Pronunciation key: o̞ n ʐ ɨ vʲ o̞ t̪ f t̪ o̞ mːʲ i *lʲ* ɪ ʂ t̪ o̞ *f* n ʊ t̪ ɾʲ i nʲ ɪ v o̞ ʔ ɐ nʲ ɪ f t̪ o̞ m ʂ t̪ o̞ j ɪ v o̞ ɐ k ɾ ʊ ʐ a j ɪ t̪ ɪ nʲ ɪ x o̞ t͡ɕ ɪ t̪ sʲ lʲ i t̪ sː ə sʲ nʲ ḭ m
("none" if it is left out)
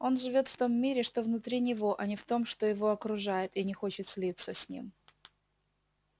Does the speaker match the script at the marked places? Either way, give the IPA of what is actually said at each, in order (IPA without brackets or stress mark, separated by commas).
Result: ɾʲ, v